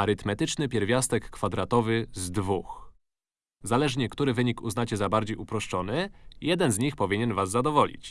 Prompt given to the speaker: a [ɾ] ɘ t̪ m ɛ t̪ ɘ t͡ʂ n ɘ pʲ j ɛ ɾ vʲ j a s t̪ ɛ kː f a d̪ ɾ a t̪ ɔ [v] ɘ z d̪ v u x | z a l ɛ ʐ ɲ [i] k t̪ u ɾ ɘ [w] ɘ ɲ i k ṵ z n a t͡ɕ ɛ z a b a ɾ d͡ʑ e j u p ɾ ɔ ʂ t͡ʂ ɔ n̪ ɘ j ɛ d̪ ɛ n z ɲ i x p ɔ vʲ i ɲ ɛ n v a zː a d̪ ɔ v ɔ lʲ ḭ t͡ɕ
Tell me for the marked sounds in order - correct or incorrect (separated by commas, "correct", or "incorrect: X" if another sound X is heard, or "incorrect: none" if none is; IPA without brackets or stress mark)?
correct, correct, incorrect: ɛ, incorrect: v